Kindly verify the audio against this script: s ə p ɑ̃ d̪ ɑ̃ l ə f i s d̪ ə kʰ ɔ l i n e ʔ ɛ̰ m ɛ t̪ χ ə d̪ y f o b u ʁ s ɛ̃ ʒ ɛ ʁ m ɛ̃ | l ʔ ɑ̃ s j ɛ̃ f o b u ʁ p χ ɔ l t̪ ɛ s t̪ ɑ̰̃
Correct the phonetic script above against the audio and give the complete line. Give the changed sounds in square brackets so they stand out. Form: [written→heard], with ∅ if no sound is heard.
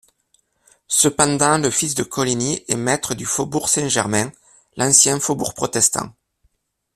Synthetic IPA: s ə p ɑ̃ d̪ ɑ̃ l ə f i s d̪ ə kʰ ɔ l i n [e→i] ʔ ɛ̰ m ɛ t̪ χ ə d̪ y f o b u ʁ s ɛ̃ ʒ ɛ ʁ m ɛ̃ | l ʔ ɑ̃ s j ɛ̃ f o b u ʁ p χ ɔ [l→∅] t̪ ɛ s t̪ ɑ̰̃